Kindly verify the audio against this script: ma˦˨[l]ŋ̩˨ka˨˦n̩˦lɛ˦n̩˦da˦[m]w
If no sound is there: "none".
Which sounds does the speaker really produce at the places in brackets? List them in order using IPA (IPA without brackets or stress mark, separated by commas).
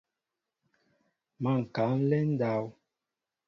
none, none